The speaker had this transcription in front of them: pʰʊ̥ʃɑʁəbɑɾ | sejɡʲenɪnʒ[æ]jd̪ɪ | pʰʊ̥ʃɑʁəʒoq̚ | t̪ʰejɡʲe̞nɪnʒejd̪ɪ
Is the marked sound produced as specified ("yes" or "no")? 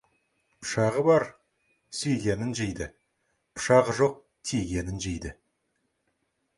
no